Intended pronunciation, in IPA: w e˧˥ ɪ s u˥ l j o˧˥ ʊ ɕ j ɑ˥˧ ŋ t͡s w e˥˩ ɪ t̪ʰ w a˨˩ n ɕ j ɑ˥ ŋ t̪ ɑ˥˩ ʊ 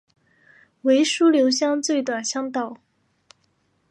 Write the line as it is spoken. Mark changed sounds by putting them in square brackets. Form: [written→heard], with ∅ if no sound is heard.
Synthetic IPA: w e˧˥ ɪ [s→ʂ] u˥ l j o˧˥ ʊ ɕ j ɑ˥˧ ŋ t͡s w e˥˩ ɪ [t̪ʰ→t̪] w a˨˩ n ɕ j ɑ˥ ŋ t̪ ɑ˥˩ ʊ